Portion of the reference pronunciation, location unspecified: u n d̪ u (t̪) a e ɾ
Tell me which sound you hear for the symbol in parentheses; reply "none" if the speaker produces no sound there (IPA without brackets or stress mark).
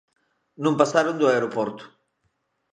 none